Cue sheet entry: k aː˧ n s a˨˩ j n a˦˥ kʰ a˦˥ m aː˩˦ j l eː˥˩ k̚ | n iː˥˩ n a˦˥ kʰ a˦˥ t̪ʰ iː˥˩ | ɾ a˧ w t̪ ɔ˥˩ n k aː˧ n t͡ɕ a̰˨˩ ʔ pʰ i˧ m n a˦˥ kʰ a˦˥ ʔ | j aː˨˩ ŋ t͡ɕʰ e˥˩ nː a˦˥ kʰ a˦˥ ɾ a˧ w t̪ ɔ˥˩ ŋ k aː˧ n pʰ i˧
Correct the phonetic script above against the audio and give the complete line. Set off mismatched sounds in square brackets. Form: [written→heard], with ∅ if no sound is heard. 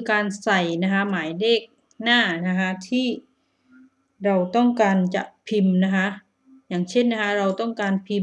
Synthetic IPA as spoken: k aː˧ n s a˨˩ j n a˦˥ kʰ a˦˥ m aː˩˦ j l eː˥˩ k̚ | n [iː˥˩→aː˥˩] n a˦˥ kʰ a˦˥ t̪ʰ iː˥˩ | ɾ a˧ w t̪ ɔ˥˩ [n→ŋ] k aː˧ n t͡ɕ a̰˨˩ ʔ pʰ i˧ m n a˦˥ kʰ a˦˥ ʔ | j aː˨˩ ŋ t͡ɕʰ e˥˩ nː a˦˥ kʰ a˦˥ ɾ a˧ w t̪ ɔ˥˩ ŋ k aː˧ n pʰ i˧